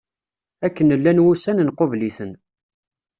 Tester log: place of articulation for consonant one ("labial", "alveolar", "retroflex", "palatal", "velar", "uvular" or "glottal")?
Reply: velar